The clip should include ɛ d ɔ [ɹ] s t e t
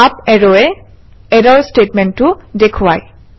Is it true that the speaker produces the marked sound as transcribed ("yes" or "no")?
yes